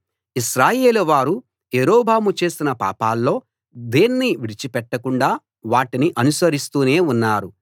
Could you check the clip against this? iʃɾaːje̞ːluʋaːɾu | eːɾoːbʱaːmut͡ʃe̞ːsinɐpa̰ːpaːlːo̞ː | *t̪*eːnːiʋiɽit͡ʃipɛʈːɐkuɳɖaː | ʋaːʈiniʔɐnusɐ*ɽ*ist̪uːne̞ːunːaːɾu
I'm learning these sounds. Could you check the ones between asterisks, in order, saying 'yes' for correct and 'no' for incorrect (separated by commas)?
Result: no, no